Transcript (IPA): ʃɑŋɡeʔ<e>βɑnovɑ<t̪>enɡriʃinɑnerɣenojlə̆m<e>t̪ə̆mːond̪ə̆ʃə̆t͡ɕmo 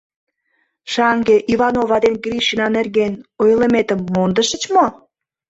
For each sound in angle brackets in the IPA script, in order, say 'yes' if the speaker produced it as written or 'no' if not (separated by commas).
no, no, yes